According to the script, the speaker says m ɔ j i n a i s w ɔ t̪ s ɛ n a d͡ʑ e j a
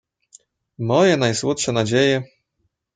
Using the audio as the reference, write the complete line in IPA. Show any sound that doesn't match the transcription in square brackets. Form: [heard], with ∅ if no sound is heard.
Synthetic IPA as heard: m ɔ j [ɛ] n a [j] s w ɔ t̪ [ʂ] ɛ n a d͡ʑ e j [ɛ]